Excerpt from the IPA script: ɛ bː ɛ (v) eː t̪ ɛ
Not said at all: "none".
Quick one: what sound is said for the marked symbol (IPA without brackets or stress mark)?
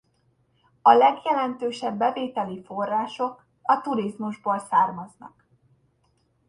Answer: v